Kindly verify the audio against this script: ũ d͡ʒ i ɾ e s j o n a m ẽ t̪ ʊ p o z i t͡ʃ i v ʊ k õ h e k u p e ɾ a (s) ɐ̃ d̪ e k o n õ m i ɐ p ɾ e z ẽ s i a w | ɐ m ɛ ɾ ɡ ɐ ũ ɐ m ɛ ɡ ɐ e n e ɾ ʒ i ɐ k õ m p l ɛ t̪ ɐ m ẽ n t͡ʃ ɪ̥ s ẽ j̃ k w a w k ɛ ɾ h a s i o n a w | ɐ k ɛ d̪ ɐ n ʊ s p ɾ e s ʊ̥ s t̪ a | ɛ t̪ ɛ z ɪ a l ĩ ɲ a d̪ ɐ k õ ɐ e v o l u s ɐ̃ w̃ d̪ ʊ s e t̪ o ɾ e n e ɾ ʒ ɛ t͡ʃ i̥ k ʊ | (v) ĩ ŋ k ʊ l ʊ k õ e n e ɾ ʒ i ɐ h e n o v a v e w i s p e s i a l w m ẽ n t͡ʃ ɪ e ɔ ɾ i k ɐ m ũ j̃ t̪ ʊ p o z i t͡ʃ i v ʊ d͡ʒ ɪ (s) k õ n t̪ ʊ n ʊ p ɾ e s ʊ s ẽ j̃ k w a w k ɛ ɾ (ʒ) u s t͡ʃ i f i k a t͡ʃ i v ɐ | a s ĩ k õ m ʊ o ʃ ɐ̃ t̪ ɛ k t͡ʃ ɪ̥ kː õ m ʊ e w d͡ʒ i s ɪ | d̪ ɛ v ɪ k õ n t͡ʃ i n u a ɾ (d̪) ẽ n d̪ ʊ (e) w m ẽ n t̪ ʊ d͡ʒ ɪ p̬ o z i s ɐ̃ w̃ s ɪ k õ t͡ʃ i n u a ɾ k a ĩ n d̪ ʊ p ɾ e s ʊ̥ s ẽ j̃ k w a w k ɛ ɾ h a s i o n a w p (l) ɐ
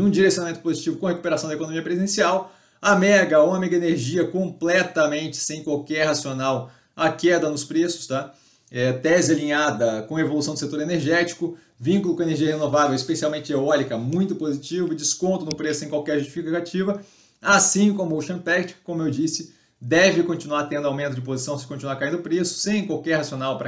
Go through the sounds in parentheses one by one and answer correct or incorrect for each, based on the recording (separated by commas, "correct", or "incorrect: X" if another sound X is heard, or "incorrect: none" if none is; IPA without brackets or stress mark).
correct, correct, correct, correct, incorrect: t̪, incorrect: a, incorrect: ɾ